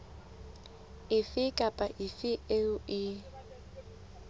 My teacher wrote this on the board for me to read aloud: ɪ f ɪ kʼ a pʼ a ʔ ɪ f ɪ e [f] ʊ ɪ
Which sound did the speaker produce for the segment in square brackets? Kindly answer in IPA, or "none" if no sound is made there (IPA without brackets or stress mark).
none